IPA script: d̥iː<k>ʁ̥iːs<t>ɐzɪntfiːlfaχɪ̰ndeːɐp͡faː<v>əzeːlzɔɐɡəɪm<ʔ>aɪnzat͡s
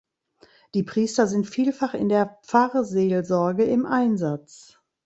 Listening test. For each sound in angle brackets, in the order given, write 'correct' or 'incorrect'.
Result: incorrect: p, correct, incorrect: ʁ, correct

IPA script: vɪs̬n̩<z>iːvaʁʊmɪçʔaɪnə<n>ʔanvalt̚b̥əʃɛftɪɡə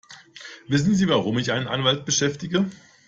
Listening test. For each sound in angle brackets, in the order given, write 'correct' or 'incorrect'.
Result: correct, correct

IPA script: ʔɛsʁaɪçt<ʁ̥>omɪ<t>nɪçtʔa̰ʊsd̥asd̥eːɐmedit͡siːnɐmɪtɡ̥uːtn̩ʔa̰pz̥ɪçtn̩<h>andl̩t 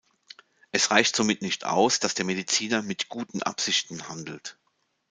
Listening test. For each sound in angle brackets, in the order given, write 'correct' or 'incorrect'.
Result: incorrect: z̥, correct, correct

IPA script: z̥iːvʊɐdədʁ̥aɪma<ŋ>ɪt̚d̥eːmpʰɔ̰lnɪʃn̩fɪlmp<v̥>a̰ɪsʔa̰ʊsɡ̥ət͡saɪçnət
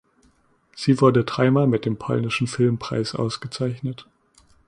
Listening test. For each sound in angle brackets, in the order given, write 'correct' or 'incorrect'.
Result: incorrect: m, incorrect: ʁ̥

